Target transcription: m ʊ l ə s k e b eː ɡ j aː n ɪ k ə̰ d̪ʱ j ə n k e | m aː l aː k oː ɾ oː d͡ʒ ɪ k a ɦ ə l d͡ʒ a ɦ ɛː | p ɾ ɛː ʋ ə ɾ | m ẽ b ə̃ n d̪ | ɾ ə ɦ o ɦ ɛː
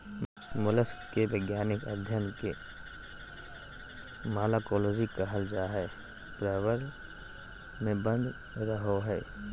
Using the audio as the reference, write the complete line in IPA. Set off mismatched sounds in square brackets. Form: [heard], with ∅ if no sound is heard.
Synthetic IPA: m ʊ l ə s k e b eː ɡ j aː n ɪ k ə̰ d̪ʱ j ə n k e | m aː l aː k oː [l] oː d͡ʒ [i] k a ɦ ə l d͡ʒ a ɦ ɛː | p ɾ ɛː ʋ ə ɾ | m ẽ b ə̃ n d̪ | ɾ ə ɦ o ɦ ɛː